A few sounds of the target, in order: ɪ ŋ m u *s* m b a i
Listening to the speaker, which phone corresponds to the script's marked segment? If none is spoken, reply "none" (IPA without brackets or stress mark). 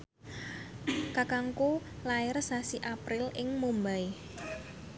none